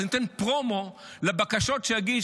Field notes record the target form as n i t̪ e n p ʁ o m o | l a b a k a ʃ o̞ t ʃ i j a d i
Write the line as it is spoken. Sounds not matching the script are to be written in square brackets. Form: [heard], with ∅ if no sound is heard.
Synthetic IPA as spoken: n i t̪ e n p ʁ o m o | l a b a k a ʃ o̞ t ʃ [e] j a [ɡ] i